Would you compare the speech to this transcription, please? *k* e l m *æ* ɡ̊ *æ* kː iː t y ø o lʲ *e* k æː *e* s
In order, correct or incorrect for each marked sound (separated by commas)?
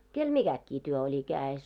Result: correct, incorrect, correct, incorrect, correct